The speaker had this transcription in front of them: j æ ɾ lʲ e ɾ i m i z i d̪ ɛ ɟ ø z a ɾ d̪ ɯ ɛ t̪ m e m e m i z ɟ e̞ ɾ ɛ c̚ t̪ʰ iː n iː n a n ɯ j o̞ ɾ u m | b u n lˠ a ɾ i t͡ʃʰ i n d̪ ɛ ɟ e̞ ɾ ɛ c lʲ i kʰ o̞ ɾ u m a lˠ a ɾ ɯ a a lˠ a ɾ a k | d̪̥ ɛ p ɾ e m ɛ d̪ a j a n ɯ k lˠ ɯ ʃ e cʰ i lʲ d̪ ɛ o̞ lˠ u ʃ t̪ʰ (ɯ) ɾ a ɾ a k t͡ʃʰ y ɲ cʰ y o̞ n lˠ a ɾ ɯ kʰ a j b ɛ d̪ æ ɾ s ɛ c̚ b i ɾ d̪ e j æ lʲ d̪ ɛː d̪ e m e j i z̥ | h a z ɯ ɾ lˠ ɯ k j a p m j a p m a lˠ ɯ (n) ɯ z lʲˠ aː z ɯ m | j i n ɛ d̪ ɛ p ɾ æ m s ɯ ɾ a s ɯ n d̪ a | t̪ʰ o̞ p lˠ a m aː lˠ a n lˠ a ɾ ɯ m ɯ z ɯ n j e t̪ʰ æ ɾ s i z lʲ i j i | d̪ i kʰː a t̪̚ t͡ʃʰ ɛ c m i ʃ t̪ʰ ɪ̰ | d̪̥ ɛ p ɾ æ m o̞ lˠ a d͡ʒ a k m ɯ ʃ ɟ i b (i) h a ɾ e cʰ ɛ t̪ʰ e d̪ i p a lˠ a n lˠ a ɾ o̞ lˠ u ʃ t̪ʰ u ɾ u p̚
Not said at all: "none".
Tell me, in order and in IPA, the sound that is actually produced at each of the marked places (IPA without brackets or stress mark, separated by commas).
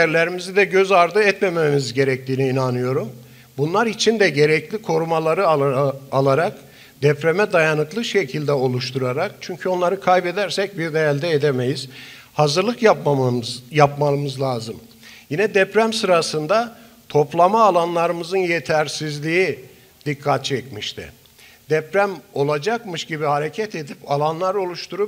u, m, i